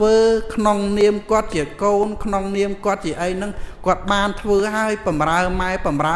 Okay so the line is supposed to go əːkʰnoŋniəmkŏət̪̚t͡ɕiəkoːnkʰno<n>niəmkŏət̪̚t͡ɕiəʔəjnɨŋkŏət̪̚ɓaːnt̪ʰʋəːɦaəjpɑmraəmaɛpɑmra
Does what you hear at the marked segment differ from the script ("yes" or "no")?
yes